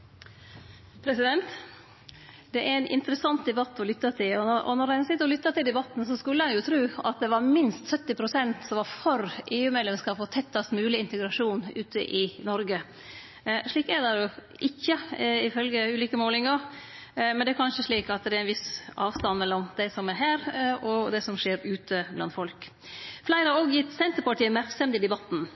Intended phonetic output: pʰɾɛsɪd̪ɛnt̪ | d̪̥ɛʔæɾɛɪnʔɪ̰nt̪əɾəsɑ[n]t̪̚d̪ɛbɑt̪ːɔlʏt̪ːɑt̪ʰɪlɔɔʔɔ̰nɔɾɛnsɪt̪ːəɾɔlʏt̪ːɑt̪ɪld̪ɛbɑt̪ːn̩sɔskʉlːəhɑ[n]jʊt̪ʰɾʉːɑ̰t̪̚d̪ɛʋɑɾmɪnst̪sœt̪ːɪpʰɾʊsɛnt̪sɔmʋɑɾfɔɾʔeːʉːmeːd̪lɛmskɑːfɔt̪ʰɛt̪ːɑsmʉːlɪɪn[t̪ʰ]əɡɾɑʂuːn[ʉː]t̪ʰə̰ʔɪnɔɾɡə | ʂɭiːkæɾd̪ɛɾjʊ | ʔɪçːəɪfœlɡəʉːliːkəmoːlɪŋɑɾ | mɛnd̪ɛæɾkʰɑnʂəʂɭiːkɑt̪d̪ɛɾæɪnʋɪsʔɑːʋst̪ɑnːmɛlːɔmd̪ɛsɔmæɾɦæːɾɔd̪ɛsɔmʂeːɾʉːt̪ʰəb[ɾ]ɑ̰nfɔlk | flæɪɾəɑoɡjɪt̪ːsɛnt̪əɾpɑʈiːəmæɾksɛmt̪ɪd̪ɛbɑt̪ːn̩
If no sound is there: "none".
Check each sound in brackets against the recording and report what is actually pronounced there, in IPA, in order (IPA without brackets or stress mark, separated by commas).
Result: n, n, t̪, ʉː, l